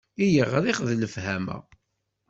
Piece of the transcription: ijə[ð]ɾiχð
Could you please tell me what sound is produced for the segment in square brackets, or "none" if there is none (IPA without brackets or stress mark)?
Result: ʁ